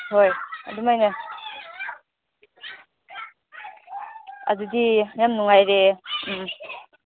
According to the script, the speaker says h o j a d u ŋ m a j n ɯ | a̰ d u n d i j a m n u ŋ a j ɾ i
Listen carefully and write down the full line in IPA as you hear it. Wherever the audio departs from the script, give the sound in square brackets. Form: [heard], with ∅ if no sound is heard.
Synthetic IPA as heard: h o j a d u [∅] m a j n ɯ | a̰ d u [∅] d i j a m n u ŋ a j ɾ [e]